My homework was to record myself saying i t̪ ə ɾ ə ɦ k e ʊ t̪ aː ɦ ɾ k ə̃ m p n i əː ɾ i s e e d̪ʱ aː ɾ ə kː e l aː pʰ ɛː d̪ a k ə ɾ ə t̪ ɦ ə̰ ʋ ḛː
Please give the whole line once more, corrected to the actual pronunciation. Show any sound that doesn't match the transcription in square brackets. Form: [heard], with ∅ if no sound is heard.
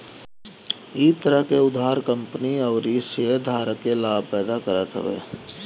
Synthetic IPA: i t̪ ə ɾ ə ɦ k e ʊ [d̪] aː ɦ ɾ k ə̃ m p n i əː ɾ i s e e d̪ʱ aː ɾ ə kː e l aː [p] ɛː d̪ a k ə ɾ ə t̪ ɦ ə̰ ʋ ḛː

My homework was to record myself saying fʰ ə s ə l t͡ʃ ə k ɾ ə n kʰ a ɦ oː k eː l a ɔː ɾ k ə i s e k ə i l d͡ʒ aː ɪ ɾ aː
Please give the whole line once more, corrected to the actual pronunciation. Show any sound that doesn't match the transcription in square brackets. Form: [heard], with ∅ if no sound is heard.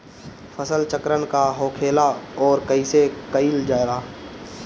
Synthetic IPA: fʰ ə s ə l t͡ʃ ə k ɾ ə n [k] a ɦ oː [kʰ] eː l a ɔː ɾ k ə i s e k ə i l d͡ʒ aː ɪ ɾ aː

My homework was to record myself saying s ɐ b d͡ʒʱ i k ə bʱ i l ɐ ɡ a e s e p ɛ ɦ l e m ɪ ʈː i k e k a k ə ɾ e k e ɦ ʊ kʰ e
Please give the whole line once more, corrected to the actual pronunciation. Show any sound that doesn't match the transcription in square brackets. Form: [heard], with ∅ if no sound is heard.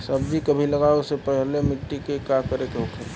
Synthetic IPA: s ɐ b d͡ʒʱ i k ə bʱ i l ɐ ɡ a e s e p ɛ ɦ l e m ɪ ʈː i k e k a k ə ɾ e k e ɦ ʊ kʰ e

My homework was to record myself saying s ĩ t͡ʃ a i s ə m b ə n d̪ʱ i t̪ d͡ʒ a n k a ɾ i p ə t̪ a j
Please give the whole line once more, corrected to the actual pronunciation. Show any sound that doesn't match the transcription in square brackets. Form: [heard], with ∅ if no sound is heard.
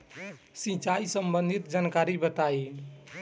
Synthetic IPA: s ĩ t͡ʃ a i s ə m b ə n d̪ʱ i t̪ d͡ʒ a n k a ɾ i [b] ə t̪ a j

